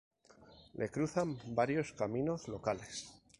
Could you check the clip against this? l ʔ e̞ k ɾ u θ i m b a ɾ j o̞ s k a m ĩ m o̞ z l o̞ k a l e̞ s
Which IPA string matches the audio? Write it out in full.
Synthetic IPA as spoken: l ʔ e̞ k ɾ u θ a m b a ɾ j o̞ s k a m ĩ n o̞ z l o̞ k a l e̞ s